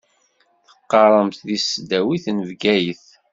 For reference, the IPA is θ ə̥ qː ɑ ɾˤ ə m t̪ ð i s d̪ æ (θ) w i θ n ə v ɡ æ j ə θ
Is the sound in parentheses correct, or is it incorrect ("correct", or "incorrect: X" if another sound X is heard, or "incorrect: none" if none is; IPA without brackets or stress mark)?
incorrect: none